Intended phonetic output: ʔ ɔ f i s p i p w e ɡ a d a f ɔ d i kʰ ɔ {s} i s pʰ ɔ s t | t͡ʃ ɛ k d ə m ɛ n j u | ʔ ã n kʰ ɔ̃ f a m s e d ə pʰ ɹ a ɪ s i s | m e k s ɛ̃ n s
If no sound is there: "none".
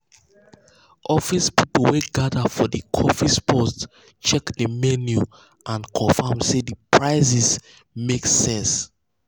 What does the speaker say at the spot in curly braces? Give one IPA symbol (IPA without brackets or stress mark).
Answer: f